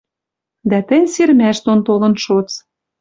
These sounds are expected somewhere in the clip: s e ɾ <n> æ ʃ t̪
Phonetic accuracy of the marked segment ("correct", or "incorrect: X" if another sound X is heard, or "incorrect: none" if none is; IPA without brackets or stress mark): incorrect: m